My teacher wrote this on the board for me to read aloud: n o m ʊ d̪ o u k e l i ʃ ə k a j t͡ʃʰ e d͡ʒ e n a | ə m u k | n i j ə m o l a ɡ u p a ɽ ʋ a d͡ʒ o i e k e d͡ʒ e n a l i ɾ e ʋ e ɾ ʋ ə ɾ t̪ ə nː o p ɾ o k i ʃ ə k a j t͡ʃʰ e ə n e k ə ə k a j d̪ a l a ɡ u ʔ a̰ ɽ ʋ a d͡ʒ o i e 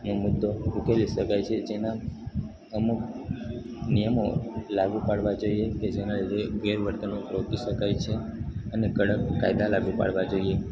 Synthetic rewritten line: n o m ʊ d̪ː o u k e l i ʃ ə k a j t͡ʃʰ e d͡ʒ e n a | ə m u k | n i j ə m o l a ɡ u p a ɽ ʋ a d͡ʒ o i e k e d͡ʒ e n a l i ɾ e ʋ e ɾ ʋ ə ɾ t̪ ə n o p ɾ o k i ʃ ə k a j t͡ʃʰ e ə n e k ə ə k a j d̪ a l a ɡ u p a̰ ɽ ʋ a d͡ʒ o i e